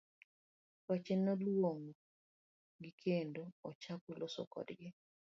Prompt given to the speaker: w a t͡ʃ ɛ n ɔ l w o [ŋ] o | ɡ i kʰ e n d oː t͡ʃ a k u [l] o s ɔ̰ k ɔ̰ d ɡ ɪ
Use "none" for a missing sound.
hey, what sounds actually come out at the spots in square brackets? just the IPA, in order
ŋ, l

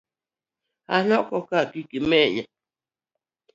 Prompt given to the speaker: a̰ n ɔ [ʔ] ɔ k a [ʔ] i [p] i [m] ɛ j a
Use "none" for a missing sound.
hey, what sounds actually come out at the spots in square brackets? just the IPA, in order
k, k, k, m

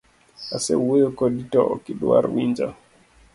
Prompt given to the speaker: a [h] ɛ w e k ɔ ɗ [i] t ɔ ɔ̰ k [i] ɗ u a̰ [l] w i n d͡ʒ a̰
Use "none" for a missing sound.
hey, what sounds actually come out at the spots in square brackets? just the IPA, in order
s, i, i, ɾ

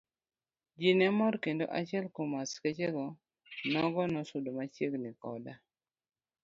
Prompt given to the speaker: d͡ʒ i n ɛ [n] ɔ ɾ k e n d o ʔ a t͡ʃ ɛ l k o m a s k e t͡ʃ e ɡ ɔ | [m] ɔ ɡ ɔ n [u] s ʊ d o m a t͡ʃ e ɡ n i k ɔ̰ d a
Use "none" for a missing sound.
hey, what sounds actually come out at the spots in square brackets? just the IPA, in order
m, n, ɔ

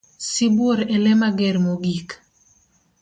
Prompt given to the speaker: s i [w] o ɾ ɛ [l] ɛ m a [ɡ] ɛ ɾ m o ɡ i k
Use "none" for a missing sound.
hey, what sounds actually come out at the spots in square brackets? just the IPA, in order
b, l, ɡ

